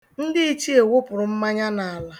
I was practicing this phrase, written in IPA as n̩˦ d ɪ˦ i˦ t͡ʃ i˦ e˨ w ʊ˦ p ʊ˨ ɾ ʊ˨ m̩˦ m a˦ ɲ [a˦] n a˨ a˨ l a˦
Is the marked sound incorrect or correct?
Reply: correct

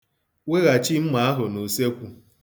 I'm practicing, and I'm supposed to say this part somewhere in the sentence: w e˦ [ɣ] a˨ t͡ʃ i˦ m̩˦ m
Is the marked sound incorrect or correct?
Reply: correct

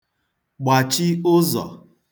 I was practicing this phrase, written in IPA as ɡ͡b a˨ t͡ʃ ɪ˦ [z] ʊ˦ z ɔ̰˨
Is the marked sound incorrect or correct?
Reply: incorrect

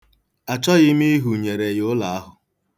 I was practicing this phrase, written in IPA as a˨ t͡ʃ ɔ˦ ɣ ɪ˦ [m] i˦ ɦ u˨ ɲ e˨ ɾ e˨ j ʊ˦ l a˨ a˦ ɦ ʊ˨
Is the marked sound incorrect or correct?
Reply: correct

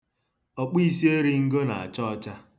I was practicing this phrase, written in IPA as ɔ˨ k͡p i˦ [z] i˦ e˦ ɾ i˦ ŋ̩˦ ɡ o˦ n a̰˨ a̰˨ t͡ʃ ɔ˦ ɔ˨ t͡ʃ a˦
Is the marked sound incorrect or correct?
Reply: incorrect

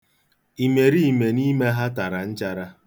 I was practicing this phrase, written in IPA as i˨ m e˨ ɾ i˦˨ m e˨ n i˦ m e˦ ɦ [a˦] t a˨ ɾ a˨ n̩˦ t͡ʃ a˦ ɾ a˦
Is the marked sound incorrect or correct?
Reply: correct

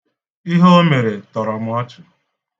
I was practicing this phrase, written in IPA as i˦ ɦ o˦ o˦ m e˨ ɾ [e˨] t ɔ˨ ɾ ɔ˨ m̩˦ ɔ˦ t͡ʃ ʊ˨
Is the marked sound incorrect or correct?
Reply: correct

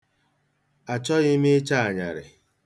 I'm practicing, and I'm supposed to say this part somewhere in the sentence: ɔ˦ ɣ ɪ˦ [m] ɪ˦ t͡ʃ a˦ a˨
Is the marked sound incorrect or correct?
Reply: correct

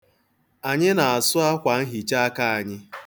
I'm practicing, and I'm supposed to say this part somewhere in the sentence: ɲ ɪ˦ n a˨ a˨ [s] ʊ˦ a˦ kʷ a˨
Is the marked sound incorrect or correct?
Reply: correct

